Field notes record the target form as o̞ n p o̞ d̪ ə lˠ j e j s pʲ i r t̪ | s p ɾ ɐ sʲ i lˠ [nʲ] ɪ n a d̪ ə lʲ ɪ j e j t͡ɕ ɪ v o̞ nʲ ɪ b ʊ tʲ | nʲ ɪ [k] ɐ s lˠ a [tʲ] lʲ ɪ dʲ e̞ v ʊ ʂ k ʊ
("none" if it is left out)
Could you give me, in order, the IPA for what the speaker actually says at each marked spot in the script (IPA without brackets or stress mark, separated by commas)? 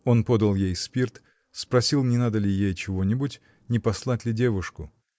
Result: nʲ, p, tʲ